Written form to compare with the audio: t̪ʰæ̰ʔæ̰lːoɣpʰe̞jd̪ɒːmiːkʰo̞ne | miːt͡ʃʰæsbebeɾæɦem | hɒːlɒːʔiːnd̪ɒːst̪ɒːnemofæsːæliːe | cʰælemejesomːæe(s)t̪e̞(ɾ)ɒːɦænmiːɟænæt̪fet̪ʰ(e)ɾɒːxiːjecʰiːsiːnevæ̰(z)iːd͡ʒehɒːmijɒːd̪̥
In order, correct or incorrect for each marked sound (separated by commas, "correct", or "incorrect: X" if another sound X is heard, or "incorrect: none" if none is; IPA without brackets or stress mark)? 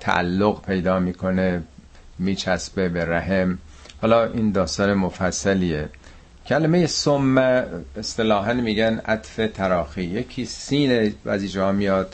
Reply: correct, incorrect: l, incorrect: æ, correct